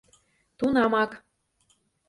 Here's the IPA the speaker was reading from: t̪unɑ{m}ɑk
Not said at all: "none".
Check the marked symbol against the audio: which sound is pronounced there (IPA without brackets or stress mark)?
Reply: m